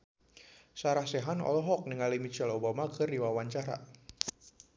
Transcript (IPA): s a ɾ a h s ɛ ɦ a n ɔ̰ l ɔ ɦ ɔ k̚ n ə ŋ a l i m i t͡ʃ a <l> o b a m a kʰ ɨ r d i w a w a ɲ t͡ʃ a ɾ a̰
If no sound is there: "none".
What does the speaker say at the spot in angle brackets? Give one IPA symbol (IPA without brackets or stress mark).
l